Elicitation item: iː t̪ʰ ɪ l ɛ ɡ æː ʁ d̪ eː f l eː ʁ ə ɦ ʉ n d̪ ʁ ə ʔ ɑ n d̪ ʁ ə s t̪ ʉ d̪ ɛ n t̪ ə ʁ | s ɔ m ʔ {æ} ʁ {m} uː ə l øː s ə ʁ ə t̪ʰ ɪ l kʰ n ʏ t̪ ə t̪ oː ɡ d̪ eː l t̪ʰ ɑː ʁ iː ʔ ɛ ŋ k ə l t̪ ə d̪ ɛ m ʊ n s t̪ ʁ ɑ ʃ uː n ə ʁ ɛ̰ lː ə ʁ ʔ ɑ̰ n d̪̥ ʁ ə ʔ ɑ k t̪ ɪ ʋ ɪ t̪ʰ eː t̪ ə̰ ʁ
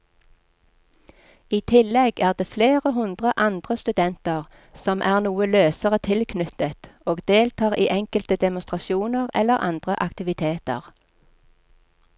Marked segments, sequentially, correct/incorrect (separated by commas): incorrect, incorrect